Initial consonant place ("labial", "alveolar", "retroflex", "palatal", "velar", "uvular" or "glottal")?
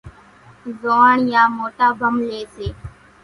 alveolar